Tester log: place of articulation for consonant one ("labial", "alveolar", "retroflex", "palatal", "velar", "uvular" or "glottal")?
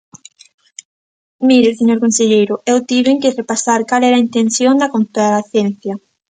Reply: labial